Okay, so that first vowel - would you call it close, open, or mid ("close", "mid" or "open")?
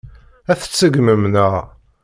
open